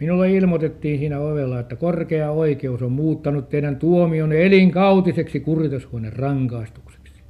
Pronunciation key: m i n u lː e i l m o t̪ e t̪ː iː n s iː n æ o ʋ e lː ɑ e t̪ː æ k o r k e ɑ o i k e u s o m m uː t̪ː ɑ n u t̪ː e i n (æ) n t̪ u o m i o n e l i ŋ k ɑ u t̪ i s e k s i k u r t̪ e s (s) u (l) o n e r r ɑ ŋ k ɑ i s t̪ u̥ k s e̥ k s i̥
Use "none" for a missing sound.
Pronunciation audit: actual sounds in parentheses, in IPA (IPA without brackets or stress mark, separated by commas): æ, h, none